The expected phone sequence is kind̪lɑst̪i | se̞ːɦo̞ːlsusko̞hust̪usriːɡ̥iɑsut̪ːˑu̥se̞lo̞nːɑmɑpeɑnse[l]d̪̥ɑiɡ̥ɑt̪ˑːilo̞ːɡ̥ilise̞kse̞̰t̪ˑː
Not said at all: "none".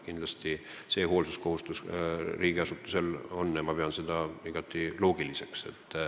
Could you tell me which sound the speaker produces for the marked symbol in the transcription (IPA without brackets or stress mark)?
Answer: none